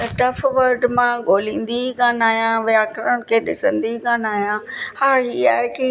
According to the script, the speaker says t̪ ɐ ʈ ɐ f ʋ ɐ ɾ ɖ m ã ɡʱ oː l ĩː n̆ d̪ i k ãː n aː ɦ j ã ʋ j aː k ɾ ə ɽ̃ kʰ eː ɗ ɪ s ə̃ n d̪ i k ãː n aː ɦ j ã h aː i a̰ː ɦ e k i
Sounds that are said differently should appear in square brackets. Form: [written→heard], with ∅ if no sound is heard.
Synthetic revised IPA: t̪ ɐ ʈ ɐ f ʋ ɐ ɾ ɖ m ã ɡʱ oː l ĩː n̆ d̪ i k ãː n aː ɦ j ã ʋ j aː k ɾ ə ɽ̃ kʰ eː ɗ ɪ s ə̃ n d̪ i k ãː n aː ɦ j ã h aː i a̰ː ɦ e k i